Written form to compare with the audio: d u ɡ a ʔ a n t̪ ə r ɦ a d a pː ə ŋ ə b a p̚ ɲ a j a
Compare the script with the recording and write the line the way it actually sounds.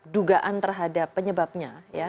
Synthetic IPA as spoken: d u ɡ a ʔ a n t̪ ə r ɦ a d a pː ə ɲ ə b a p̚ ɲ a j a